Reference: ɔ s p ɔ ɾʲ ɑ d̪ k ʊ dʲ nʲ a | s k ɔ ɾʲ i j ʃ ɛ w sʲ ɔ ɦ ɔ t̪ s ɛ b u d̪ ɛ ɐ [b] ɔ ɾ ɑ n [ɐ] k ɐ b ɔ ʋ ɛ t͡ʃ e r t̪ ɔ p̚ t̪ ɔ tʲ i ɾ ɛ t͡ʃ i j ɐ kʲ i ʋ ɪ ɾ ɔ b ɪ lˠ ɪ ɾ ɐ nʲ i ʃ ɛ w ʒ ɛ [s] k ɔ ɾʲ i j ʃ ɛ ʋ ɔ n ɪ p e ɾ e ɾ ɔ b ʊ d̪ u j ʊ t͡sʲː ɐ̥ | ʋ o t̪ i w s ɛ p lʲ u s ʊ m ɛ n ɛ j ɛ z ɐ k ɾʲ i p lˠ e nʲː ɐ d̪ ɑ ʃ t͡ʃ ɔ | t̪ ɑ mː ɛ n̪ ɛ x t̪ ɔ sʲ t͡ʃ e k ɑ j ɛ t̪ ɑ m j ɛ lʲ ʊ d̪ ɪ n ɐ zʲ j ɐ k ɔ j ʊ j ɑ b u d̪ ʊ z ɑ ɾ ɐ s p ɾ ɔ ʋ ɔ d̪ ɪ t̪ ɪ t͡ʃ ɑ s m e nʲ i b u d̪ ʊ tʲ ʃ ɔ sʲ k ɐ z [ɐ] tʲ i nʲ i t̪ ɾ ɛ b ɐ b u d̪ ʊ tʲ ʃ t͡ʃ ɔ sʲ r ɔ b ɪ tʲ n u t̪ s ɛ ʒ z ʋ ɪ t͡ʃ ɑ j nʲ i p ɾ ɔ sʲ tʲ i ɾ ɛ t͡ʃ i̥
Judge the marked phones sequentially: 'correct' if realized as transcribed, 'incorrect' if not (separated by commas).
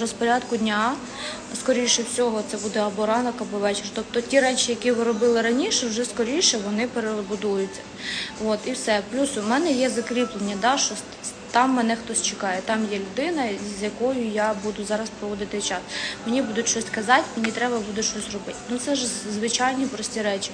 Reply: correct, correct, correct, incorrect